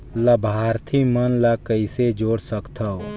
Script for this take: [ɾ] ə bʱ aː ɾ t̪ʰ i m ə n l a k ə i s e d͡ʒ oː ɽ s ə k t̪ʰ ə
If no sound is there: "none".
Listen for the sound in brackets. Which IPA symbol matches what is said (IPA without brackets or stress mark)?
l